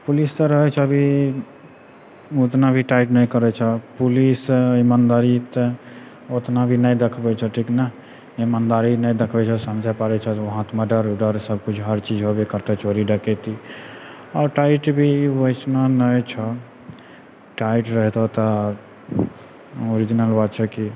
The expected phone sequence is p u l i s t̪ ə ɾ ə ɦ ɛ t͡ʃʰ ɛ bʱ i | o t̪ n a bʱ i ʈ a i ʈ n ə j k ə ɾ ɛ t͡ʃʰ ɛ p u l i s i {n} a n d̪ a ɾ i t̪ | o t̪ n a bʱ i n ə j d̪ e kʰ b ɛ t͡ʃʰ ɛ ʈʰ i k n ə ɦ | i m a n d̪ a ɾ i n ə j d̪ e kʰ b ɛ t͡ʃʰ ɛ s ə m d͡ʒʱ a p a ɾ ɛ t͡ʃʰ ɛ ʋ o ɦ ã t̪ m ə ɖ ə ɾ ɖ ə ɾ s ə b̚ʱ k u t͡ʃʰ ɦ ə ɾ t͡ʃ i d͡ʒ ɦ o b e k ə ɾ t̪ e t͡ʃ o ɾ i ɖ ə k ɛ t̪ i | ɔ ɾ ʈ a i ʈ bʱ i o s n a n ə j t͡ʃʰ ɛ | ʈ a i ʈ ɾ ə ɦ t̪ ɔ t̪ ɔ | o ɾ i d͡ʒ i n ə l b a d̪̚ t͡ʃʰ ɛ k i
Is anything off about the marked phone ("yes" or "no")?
yes